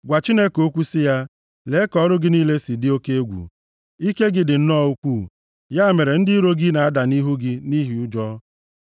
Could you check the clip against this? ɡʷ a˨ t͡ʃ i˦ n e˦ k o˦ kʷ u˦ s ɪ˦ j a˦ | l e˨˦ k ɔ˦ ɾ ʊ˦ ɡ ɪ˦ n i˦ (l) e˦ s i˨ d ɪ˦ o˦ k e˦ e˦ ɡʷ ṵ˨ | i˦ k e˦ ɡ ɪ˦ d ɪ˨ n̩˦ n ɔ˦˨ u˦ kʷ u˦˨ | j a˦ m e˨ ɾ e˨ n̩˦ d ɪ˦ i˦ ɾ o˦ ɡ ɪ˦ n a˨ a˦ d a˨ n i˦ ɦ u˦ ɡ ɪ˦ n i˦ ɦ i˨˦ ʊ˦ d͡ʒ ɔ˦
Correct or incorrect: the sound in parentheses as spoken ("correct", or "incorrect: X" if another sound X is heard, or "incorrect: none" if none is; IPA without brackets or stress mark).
correct